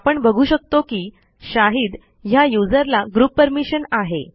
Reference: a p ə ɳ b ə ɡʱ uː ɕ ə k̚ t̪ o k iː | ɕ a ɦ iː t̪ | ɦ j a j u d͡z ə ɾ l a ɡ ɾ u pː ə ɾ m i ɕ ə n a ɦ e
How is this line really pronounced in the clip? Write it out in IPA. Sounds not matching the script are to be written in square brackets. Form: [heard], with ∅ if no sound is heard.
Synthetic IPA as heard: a p ə ɳ b ə ɡʱ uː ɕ ə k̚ t̪ o k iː | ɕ a ɦ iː [d̪] | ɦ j a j u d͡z ə ɾ l a ɡ ɾ u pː ə ɾ m i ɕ ə n a ɦ e